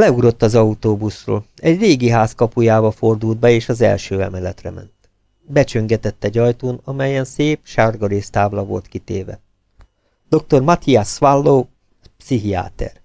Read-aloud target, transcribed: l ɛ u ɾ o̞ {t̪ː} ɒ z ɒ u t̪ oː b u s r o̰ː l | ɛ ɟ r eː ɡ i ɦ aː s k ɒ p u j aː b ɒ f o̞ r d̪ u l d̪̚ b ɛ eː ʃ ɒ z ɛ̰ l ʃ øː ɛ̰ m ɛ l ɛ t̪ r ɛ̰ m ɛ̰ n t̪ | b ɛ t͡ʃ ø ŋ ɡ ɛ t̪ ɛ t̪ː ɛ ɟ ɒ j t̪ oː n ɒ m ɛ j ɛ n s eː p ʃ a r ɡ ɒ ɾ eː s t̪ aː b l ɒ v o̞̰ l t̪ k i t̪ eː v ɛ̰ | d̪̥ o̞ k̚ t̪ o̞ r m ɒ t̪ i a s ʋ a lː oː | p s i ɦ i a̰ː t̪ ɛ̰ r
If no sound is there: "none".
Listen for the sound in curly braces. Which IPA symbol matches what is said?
t̪ː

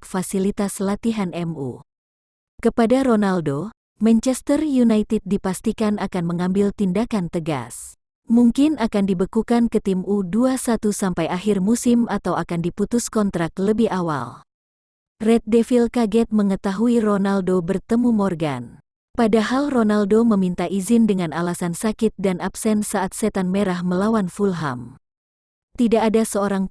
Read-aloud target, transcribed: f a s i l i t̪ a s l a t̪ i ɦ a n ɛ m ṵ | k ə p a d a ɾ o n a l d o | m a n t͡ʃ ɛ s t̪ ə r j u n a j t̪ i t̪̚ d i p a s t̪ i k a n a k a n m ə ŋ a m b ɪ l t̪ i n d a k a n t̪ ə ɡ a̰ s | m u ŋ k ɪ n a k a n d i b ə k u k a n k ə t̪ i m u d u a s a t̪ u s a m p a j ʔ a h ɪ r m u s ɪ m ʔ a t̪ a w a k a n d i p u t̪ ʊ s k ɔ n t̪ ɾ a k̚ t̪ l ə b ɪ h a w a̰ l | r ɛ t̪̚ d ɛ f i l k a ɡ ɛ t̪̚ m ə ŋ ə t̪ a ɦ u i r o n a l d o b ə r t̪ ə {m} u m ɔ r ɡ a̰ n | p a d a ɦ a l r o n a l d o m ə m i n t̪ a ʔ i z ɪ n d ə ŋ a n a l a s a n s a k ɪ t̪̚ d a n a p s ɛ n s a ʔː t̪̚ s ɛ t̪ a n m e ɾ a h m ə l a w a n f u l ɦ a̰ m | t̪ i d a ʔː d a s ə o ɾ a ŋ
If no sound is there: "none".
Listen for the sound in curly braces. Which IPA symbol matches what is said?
m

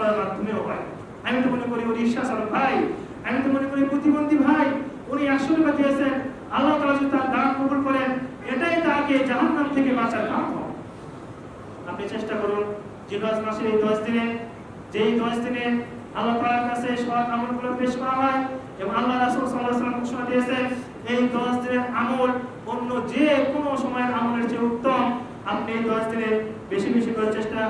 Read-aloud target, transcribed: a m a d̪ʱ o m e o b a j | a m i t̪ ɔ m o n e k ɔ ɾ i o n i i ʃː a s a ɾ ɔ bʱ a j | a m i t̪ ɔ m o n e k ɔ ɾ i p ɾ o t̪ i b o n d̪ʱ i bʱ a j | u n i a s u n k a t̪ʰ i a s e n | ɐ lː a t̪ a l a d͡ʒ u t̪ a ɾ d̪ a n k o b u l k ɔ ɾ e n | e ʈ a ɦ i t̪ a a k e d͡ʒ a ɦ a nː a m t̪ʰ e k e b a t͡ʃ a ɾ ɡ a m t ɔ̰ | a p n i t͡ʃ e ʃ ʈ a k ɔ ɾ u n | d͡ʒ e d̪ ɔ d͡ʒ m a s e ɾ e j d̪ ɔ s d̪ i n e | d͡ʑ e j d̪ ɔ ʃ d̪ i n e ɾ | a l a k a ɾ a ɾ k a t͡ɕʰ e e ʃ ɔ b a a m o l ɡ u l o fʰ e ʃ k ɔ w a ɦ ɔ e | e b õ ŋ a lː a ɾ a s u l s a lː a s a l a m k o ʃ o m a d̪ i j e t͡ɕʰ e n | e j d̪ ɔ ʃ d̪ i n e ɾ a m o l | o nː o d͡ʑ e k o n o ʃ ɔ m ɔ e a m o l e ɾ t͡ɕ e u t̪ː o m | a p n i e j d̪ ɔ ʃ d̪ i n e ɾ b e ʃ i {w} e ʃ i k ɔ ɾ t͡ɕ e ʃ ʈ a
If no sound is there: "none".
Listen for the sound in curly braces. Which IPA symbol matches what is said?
b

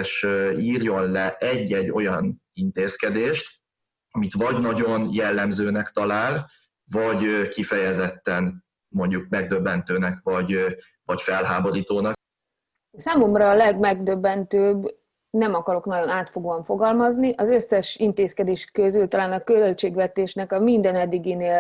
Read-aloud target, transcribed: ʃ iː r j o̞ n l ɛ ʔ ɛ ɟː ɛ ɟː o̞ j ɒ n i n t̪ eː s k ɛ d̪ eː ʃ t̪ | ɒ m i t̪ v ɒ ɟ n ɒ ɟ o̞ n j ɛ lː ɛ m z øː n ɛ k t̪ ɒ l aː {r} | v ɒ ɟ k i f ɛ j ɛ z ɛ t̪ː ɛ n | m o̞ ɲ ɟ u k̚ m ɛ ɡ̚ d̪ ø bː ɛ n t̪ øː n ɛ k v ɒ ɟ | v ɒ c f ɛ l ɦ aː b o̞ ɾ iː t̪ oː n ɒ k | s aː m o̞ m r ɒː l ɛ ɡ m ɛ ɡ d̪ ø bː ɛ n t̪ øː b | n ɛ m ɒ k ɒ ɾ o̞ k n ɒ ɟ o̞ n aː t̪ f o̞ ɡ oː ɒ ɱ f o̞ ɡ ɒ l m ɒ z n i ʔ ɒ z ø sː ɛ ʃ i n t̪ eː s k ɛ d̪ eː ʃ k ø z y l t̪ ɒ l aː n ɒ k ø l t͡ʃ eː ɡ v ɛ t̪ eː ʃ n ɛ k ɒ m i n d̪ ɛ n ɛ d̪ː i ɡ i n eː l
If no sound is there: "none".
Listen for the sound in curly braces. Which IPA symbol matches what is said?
l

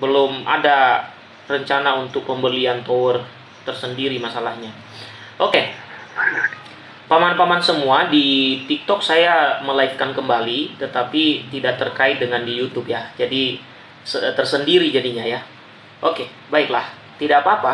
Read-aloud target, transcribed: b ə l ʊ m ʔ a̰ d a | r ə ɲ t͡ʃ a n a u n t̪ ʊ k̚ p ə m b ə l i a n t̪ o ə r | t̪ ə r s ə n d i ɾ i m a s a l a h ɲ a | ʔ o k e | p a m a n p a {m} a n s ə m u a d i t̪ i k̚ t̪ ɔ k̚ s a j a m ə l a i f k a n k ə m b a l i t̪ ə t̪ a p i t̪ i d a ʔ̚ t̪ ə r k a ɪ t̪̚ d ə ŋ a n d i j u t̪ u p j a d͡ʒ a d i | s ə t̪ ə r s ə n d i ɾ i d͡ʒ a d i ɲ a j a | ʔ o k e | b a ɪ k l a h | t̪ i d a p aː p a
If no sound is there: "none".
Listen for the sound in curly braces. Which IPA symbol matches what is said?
m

